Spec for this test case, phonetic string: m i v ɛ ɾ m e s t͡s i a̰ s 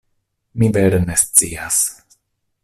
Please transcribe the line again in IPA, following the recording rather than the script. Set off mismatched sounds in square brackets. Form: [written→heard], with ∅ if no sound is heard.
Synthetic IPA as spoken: m i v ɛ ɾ [m→n] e s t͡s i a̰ s

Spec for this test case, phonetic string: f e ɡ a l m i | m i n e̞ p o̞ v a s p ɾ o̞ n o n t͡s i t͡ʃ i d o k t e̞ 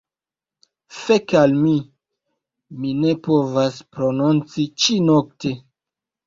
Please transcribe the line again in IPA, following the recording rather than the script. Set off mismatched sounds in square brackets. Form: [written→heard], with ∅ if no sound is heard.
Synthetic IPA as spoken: f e [ɡ→k] a l m i | m i n e̞ p o̞ v a s p ɾ o̞ n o n t͡s i t͡ʃ i [d→n] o k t e̞

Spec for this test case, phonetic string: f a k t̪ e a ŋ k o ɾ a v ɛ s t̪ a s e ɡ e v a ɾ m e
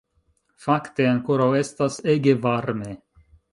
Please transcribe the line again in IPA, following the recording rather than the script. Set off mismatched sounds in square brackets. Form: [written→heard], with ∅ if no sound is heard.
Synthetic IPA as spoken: f a k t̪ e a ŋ k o ɾ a [v→w] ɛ s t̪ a s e ɡ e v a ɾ m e

